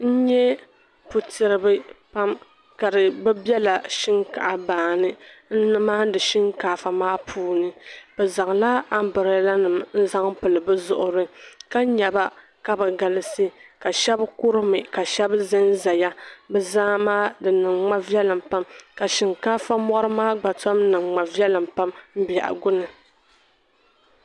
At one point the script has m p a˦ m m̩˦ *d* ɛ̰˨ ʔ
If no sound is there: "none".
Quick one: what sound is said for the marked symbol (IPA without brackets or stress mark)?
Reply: b